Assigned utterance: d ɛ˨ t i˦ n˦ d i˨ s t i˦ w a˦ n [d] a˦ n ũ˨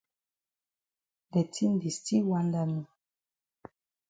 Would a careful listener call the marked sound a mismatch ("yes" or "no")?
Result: no